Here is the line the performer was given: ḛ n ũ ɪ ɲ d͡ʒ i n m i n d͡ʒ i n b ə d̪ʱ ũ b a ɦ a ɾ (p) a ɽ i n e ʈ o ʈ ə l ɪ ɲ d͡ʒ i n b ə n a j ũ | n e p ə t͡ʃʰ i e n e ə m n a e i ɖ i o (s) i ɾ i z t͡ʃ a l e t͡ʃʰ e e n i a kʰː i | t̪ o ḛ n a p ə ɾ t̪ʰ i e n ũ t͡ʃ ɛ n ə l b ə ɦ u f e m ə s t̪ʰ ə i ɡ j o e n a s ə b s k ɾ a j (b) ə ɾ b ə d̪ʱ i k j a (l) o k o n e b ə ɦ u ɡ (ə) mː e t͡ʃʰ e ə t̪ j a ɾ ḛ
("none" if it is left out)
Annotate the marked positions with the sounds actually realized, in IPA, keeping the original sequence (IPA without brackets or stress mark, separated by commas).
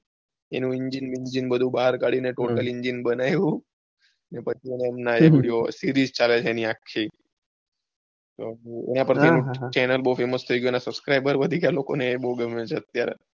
k, s, b, l, ə